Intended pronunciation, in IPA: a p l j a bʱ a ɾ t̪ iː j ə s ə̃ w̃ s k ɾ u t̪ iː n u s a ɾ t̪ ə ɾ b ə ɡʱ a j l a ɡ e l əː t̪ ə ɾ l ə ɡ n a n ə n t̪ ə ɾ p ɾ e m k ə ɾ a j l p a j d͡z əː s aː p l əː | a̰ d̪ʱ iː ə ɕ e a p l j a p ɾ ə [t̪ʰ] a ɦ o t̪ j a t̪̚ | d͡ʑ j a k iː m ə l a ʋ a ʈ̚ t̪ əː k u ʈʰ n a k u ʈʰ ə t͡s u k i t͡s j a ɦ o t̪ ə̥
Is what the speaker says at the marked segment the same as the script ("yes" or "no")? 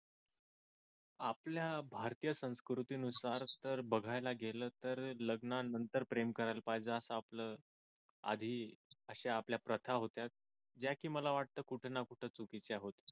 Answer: yes